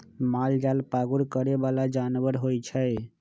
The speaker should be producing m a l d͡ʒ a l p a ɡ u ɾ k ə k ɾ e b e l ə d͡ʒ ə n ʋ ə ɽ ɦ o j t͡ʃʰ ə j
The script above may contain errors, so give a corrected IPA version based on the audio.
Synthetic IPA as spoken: m a l d͡ʒ a l p a ɡ u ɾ k ə ɾ e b a l a d͡ʒ a n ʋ ə ɾ ɦ o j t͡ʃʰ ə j